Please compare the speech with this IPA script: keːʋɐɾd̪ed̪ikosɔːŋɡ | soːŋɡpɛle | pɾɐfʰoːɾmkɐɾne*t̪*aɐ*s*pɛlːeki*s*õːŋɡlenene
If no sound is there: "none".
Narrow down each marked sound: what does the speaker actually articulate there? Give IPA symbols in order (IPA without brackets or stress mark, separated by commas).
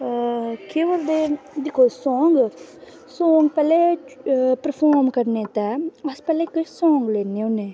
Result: t̪, s, s